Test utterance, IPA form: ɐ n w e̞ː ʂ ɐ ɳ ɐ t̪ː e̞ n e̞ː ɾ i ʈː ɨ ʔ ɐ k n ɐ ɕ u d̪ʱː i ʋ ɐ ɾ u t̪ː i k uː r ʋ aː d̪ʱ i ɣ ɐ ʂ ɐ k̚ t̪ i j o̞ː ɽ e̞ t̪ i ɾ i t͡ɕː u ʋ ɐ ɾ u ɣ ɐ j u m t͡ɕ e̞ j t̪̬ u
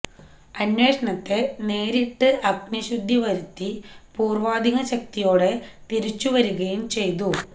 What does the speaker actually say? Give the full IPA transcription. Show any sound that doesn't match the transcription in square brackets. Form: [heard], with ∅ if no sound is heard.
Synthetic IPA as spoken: ɐ n w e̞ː ʂ ɐ ɳ ɐ t̪ː e̞ n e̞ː ɾ i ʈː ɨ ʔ ɐ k n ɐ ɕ u d̪ʱː i ʋ ɐ ɾ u t̪ː i [p] uː r ʋ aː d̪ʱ i ɣ ɐ [ɕ] ɐ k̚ t̪ i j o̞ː ɽ e̞ t̪ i ɾ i t͡ɕː u ʋ ɐ ɾ u ɣ ɐ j u m t͡ɕ e̞ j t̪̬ u